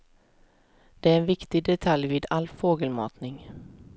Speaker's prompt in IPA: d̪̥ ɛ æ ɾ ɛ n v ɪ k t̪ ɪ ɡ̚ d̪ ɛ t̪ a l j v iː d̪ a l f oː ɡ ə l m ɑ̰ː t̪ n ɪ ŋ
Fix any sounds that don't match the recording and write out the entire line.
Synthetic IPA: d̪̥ ɛ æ ɾ ɛ n v ɪ k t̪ ɪ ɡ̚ d̪ ɛ t̪ʰ a l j v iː d̪ a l f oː ɡ ə l m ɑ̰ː t̪ n ɪ ŋ

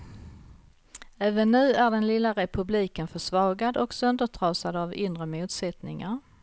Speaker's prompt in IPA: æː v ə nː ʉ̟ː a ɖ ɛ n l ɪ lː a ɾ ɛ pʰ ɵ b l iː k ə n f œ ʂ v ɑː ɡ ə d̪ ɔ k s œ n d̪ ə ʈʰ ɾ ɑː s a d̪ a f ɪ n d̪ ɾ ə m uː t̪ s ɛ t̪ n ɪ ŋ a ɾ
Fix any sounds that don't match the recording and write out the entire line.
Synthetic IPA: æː v ə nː ʉ̟ː æ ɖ ɛ n l ɪ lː a ɾ ɛ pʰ ɵ b l iː k ə n f œ ʂ v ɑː ɡ a d̪ ɔ k s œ n d̪ ə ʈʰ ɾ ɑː s a d̪ a v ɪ n d̪ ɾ ə m uː t̪ s ɛ t̪ n ɪ ŋ a ɾ

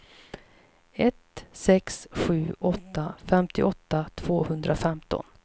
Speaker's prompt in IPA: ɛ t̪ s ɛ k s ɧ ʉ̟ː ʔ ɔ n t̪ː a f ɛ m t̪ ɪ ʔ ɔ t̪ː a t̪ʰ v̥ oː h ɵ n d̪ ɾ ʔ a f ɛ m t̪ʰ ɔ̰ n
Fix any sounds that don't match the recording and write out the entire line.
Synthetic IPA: ɛ t̪ s ɛ k s ɧ ʉ̟ː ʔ ɔ t̪ː a f ɛ m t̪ ɪ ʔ ɔ t̪ː a t̪ʰ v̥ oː h ɵ n d̪ ɾ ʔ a f ɛ m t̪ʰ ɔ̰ n

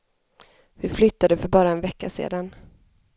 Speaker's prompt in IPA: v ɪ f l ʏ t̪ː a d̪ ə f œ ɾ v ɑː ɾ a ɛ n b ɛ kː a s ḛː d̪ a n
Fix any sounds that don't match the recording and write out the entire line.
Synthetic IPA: v ɪ f l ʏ t̪ː a d̪ ə f œ ɾ b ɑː ɾ a ɛ n v ɛ kː a s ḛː d̪ a n

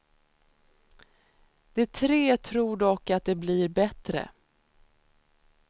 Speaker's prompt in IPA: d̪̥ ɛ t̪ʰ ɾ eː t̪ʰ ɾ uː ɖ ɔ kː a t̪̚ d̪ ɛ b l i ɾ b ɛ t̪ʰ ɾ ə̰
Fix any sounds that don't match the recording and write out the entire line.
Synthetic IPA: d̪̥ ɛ t̪ʰ ɾ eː t̪ʰ ɾ uː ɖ ɔ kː a t̪̚ d̪ ɛ b l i ɾ b ɛ t̪ ɾ ə̰

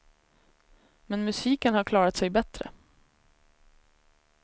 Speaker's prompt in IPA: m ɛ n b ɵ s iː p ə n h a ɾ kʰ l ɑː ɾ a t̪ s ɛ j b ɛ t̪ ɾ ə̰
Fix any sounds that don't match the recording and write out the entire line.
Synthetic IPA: m ɛ n m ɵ s iː k ə n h a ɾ kʰ l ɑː ɾ a t̪ s ɛ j b ɛ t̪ ɾ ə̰

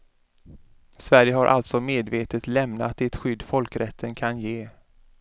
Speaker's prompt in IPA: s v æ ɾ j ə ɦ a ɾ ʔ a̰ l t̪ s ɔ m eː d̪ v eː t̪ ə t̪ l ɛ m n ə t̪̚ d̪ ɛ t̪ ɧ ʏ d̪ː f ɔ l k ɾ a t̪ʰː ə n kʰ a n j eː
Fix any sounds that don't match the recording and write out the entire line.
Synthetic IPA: s v æ ɾ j ə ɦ a ɾ ʔ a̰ l t̪ s ɔ m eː d̪ v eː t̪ ə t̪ l ɛ m n a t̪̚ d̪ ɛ t̪ ɧ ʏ d̪ː f ɔ l k ɾ ɛ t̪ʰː ə n kʰ a n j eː

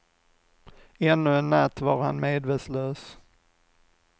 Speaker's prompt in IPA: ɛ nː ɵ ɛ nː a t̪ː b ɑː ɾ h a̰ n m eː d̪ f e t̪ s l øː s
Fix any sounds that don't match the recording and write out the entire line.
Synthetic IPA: ɛ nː ɵ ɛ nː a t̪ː v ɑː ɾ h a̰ n m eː d̪ v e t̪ s l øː s

